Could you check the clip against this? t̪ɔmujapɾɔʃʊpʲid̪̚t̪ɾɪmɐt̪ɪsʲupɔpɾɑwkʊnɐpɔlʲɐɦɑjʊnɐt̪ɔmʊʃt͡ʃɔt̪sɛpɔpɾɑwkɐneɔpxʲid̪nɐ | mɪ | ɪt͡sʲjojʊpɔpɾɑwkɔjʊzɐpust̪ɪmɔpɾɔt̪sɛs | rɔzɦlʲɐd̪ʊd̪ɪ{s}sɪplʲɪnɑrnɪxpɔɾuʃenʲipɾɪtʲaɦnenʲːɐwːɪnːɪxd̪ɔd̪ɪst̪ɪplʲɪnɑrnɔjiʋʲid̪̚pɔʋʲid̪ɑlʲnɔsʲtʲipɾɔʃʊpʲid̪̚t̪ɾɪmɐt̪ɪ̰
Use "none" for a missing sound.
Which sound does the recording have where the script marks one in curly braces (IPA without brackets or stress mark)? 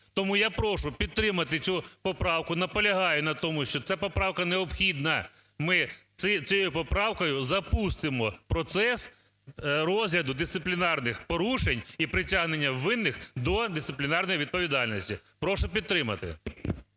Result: s